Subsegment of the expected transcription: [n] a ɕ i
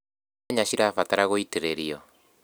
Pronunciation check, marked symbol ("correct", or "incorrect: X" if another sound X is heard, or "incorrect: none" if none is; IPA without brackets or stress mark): incorrect: ɲ